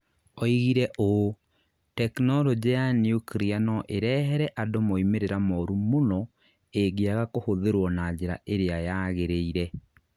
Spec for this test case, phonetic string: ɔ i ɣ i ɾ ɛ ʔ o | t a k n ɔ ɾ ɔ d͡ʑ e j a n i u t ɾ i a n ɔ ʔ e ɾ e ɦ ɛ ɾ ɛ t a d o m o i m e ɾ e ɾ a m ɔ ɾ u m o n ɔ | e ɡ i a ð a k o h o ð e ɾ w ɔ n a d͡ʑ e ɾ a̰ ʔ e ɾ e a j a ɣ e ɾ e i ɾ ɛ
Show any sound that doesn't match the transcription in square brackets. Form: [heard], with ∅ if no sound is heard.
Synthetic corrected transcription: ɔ i ɣ i ɾ ɛ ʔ o | t [ɛ] k n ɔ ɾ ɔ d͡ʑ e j a n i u [k] ɾ i a n ɔ ʔ e ɾ [ɛ] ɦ ɛ ɾ ɛ [ʔ] a d o m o i m e ɾ e ɾ a m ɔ ɾ u m o n ɔ | e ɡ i a [ɣ] a k o h o ð e ɾ w ɔ n a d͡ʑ e ɾ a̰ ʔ e ɾ e a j a ɣ e ɾ e i ɾ ɛ